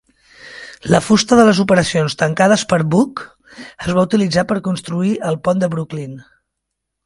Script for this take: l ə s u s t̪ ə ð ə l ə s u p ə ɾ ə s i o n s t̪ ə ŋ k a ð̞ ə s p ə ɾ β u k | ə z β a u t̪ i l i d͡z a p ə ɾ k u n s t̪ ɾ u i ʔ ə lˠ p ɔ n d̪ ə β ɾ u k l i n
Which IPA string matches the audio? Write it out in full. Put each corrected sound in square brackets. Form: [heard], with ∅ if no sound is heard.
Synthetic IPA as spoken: l ə [f] u s t̪ ə ð ə l ə [z] u p ə ɾ ə s i o n s t̪ ə ŋ k a ð̞ ə s p ə ɾ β u k | ə z β a u t̪ i l i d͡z a p ə ɾ k u n s t̪ ɾ u i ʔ ə lˠ p ɔ n d̪ ə β ɾ u k l i n